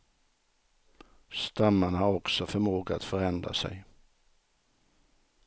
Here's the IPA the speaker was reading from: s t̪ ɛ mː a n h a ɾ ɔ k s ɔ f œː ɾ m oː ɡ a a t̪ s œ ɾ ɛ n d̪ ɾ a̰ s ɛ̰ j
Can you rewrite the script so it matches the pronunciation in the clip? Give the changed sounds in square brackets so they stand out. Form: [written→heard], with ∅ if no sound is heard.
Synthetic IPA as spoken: s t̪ [ɛ→a] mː a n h a ɾ ɔ k s ɔ f [œː→œ] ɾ m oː ɡ a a t̪ [s→f] œ ɾ ɛ n d̪ ɾ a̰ s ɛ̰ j

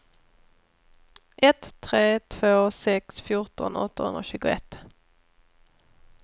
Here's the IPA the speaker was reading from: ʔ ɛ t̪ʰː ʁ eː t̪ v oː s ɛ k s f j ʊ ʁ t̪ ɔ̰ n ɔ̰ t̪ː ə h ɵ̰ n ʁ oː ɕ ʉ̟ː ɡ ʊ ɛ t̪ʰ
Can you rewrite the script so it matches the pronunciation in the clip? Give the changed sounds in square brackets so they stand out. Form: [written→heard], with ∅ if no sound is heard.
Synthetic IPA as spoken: ʔ ɛ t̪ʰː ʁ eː [t̪→t̪ʰ] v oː s ɛ k s f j ʊ ʁ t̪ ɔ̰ n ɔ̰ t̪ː ə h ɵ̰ n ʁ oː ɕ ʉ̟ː ɡ ʊ ɛ [t̪ʰ→t̪]

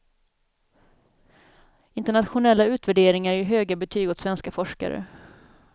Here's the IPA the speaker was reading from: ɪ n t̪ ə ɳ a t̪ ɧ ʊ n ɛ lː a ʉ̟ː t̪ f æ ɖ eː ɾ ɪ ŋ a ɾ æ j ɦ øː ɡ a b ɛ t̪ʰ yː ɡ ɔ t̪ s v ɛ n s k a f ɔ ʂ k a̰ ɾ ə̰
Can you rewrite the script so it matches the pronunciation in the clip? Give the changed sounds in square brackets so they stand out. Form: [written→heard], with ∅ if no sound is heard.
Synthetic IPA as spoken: ɪ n t̪ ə ɳ a t̪ ɧ ʊ n ɛ lː a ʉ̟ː t̪ [f→v] æ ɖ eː ɾ ɪ ŋ a ɾ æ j ɦ øː ɡ a b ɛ t̪ʰ yː ɡ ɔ t̪ s v ɛ n s k a f ɔ ʂ k a̰ ɾ ə̰

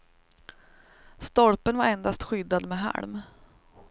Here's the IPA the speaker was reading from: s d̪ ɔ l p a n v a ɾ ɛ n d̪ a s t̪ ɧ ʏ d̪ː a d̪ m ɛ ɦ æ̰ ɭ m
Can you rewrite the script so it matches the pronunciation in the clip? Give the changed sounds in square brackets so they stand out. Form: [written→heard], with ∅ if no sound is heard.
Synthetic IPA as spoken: s [d̪→t̪] ɔ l p [a→ə] n v a ɾ ɛ n d̪ a s t̪ ɧ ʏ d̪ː a d̪ m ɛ ɦ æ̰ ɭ m

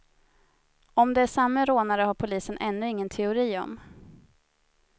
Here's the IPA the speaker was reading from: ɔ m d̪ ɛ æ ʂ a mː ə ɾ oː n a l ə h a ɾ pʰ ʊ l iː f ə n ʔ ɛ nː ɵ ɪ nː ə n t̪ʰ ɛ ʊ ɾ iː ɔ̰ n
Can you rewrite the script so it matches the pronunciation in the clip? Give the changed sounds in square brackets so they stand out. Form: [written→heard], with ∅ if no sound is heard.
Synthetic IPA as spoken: ɔ m d̪ ɛ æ ʂ a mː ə ɾ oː n a [l→ɾ] ə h a ɾ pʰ ʊ l iː [f→s] ə n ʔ ɛ nː ɵ ɪ [nː→ŋː] ə n t̪ʰ ɛ ʊ ɾ iː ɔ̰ [n→m]

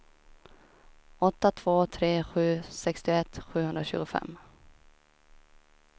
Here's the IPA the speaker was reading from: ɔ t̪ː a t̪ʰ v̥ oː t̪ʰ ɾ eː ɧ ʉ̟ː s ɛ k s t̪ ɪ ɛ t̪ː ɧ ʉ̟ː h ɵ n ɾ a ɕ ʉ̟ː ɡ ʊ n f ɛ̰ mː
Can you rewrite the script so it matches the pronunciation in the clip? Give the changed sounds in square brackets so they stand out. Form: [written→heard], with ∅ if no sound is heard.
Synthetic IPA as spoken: ɔ t̪ː a t̪ʰ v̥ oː t̪ʰ ɾ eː ɧ ʉ̟ː s ɛ k s t̪ ɪ ɛ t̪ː ɧ ʉ̟ː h ɵ n ɾ a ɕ ʉ̟ː ɡ ʊ [n→∅] f ɛ̰ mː

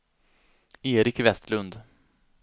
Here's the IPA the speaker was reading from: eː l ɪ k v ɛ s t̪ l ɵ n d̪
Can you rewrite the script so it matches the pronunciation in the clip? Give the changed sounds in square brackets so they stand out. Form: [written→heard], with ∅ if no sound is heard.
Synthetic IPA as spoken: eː [l→ɾ] ɪ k v ɛ s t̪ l ɵ n d̪

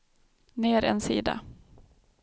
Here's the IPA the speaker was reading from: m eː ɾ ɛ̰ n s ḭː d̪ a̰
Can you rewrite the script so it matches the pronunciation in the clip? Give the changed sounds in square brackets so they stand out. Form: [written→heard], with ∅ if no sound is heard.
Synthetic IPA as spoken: [m→n] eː ɾ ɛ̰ n s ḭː d̪ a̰

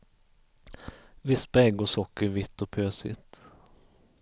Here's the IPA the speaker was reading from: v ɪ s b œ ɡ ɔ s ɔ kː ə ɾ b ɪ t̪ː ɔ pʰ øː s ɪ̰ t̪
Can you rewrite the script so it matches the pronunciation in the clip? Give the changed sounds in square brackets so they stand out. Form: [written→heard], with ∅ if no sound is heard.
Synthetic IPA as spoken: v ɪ s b [œ→ɛ] ɡ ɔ s ɔ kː ə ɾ [b→v] ɪ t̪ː ɔ pʰ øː s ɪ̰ t̪

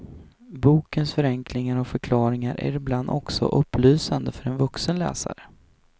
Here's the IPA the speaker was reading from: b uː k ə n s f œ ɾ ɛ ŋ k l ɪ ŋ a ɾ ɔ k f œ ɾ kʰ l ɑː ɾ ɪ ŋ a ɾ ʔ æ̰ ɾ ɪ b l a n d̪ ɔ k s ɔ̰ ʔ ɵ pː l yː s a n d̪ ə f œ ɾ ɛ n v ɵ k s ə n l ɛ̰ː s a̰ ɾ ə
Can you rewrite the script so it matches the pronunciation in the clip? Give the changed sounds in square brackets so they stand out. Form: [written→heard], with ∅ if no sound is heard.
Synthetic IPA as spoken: b uː k ə n s f œ ɾ ɛ ŋ k l ɪ ŋ a ɾ ɔ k f œ ɾ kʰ l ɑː ɾ ɪ ŋ a ɾ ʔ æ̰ ɾ ɪ b l a n d̪ ɔ k s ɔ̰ ʔ ɵ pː l yː s a n d̪ ə f œ ɾ ɛ n v ɵ k s ə n l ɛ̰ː s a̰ ɾ ə

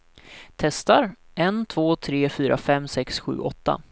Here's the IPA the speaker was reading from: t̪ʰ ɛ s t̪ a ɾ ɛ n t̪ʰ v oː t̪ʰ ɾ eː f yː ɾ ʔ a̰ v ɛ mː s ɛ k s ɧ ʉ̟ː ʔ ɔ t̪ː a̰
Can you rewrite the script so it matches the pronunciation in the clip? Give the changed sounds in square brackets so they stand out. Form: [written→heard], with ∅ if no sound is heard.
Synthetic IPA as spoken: t̪ʰ ɛ s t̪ a ɾ ɛ n t̪ʰ v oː t̪ʰ ɾ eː f yː ɾ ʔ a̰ [v→f] ɛ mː s ɛ k s ɧ ʉ̟ː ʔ ɔ t̪ː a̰

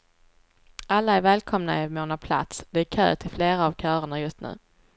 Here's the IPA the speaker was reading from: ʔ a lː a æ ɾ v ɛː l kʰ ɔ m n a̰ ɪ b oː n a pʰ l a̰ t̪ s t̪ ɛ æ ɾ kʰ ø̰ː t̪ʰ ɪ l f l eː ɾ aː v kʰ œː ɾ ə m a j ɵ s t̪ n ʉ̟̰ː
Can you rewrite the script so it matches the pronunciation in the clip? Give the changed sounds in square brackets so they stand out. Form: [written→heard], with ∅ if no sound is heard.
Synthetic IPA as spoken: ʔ a lː a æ ɾ v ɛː l kʰ ɔ m n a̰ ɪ [b→m] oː n a pʰ l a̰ t̪ s [t̪→d̪] ɛ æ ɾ kʰ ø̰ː t̪ʰ ɪ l f l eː ɾ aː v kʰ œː ɾ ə [m→ɳ] a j ɵ s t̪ n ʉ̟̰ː

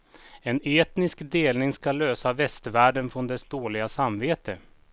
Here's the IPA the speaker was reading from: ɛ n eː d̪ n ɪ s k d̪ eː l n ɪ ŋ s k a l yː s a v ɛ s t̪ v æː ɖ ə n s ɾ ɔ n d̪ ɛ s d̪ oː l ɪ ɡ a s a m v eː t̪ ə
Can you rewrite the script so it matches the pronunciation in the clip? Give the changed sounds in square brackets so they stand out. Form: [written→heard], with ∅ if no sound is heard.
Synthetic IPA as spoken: ɛ n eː [d̪→t̪] n ɪ s k d̪ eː l n ɪ ŋ s k a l [yː→øː] s a v ɛ s t̪ v æː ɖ ə n [s→f] ɾ ɔ n d̪ ɛ s d̪ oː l ɪ ɡ a s a m v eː t̪ ə

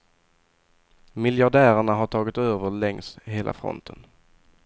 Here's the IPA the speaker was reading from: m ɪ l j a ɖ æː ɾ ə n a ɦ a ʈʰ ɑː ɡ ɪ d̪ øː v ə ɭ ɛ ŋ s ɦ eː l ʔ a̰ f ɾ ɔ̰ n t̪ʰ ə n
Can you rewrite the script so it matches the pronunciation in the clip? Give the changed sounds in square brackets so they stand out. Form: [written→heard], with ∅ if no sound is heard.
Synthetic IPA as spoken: m ɪ l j a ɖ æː ɾ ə [n→ɳ] a ɦ a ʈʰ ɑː ɡ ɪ [d̪→t̪] øː v ə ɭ ɛ ŋ s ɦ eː l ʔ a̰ f ɾ ɔ̰ n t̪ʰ ə n

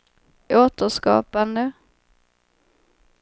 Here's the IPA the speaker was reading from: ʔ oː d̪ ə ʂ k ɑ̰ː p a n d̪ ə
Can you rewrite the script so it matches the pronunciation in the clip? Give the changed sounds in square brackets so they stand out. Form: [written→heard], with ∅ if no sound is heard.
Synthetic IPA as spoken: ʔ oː [d̪→t̪] ə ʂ k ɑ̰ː p a n d̪ ə

